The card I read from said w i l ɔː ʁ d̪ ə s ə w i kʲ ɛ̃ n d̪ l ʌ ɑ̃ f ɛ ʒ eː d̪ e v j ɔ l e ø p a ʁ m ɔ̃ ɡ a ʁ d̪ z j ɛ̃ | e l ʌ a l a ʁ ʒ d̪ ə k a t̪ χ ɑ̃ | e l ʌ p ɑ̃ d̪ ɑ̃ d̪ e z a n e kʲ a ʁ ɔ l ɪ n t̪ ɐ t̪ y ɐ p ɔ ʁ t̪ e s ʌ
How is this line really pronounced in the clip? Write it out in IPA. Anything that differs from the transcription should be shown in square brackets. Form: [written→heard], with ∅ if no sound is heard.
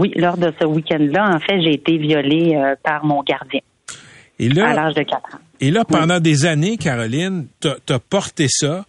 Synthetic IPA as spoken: w i l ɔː ʁ d̪ ə s ə w i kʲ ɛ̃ n d̪ l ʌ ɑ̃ f ɛ ʒ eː [d̪→t̪] e v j ɔ l e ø p a ʁ m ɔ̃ ɡ a ʁ d̪ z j ɛ̃ | e l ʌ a l a ʁ ʒ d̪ ə k a t̪ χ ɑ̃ | e l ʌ p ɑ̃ d̪ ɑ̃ d̪ e z a n e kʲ a ʁ ɔ l ɪ n t̪ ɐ t̪ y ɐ p ɔ ʁ t̪ e s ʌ